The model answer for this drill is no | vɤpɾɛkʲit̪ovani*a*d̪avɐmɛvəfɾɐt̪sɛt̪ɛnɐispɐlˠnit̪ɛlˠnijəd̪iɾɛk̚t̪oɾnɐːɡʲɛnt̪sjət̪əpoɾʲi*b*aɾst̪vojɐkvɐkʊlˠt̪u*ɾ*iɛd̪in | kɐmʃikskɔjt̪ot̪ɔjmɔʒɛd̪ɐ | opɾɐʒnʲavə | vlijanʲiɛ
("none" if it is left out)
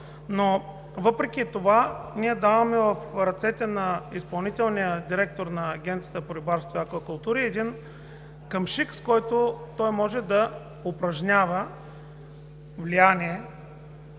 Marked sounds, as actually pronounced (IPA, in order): ɛ, b, ɾ

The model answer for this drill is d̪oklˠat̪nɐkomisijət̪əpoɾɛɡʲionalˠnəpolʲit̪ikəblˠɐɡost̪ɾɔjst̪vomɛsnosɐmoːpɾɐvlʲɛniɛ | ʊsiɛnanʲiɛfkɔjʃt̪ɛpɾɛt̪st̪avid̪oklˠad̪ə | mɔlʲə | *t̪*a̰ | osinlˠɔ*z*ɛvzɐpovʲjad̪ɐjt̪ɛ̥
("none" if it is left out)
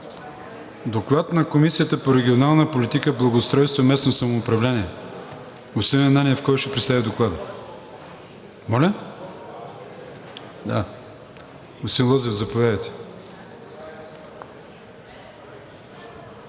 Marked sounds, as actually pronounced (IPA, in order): d̪, z

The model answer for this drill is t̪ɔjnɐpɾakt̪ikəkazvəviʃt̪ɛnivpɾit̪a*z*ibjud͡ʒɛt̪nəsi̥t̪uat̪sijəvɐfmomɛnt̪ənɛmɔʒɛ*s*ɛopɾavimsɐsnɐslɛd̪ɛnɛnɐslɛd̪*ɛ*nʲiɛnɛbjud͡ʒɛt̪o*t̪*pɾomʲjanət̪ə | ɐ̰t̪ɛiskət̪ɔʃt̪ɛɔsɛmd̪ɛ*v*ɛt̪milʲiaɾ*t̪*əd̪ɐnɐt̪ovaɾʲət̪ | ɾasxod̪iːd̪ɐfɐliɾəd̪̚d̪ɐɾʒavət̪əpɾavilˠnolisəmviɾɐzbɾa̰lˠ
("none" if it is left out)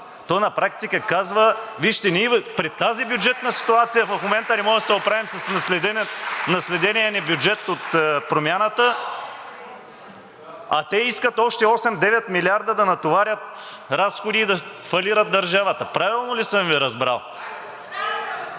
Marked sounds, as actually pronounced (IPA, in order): z, s, ɛ, t̪, v, d̪

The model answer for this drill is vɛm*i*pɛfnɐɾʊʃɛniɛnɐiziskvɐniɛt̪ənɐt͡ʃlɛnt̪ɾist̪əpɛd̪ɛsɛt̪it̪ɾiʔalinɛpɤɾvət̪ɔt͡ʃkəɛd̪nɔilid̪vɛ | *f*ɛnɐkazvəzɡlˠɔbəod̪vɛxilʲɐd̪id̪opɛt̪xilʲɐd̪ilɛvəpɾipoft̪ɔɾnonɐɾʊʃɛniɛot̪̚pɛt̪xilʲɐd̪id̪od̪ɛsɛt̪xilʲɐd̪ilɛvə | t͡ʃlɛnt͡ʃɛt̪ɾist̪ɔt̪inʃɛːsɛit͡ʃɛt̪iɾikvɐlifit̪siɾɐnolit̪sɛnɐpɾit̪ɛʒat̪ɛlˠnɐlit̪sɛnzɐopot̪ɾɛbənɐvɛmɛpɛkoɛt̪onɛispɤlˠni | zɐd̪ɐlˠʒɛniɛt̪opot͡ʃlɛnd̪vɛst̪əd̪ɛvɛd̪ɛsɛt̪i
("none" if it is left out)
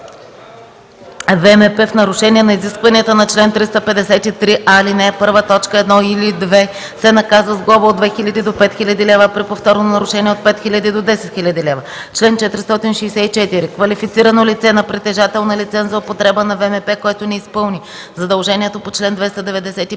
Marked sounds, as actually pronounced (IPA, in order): ɛ, s

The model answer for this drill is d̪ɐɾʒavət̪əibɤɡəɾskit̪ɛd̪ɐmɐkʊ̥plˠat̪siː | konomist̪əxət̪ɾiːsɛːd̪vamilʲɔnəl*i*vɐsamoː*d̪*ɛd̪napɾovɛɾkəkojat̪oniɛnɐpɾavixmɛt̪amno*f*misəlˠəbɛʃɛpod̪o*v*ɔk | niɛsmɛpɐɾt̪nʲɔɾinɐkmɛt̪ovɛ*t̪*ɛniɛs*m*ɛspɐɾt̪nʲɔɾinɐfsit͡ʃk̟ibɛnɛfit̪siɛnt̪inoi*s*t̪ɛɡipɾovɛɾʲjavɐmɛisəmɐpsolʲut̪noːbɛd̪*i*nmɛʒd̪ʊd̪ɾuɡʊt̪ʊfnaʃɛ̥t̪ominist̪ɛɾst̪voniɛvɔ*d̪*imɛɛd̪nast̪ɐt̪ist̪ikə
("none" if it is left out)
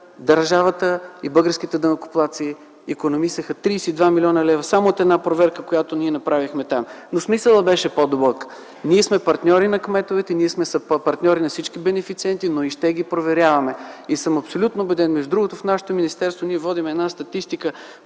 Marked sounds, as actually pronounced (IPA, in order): ɛ, t̪, s, b, t̪, m, ʃ, ɛ, d̪

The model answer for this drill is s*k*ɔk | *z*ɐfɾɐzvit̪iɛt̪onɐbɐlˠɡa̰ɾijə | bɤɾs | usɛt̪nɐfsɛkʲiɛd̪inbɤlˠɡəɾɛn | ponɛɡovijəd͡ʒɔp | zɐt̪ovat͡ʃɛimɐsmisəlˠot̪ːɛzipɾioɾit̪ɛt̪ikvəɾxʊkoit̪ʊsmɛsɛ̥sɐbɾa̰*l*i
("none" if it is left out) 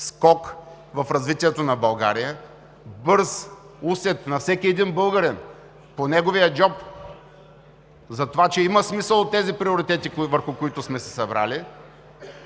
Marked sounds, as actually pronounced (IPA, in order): k, v, l

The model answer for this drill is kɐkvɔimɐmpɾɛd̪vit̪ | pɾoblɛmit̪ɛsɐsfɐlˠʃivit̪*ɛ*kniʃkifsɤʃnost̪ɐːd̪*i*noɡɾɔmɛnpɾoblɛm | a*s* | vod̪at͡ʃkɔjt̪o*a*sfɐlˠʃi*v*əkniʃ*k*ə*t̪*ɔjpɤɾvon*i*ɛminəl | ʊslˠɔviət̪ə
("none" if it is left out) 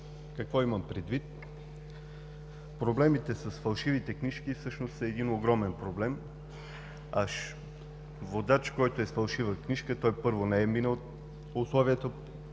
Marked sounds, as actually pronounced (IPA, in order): ɛ, i, ʃ, ɛ, v, k, t̪, ɛ

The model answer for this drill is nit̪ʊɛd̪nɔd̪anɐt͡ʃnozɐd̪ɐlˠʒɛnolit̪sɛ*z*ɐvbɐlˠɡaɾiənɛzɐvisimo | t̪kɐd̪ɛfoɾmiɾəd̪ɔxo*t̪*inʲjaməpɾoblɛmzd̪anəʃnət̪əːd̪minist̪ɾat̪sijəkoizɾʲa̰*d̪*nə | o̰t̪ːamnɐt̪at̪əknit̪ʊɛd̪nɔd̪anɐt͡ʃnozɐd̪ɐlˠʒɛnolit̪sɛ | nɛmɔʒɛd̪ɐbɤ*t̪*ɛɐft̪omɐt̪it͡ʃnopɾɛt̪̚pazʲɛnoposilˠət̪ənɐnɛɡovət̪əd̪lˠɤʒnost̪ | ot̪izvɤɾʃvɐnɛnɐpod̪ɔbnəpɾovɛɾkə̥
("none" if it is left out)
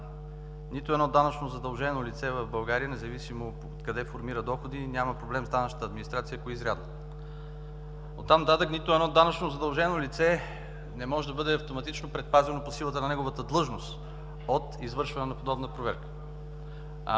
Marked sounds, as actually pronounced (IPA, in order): v, d̪, d̪, d̪

